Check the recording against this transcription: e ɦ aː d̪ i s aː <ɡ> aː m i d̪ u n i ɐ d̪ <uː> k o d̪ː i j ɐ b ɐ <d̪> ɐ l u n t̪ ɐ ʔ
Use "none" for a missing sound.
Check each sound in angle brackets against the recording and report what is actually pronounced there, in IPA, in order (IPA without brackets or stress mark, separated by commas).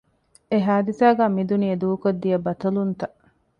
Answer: ɡ, uː, t̪